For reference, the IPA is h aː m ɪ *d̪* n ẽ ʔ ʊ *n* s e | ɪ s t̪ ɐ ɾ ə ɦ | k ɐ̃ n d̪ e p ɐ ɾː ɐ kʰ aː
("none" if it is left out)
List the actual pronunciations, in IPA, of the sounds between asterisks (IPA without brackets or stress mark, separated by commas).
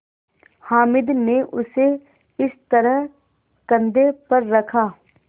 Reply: d̪, none